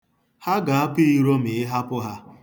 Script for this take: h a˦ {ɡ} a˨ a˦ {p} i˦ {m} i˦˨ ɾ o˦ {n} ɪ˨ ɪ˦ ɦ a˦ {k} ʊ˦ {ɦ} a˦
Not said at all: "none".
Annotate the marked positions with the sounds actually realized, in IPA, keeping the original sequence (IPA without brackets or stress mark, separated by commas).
ɡ, p, none, m, p, ɦ